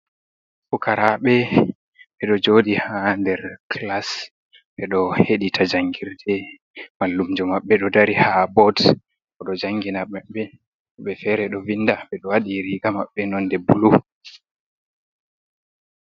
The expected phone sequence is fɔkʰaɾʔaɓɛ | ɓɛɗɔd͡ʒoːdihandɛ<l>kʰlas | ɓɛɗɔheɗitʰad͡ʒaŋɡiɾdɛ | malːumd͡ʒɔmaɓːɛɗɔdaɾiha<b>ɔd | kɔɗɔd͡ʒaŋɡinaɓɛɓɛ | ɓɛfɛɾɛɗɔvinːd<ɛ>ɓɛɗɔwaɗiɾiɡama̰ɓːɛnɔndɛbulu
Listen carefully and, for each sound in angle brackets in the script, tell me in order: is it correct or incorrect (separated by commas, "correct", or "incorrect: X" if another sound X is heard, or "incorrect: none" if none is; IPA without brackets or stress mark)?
incorrect: ɾ, correct, incorrect: a